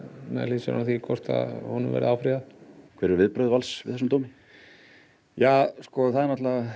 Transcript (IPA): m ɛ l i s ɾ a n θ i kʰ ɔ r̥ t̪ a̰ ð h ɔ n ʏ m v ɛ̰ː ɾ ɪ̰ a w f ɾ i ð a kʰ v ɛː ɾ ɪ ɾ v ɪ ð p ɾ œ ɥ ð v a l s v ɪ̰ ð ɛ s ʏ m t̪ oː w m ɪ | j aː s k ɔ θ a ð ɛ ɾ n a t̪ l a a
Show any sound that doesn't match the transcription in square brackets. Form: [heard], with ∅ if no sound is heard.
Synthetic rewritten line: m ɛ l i s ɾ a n θ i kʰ ɔ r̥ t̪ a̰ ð h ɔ n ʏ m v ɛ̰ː ɾ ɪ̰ a w f ɾ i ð a kʰ v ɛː ɾ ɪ ɾ v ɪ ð p ɾ œ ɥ ð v a l s v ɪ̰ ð ɛ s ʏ m t̪ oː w m ɪ | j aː s k ɔ θ a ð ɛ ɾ n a t̪ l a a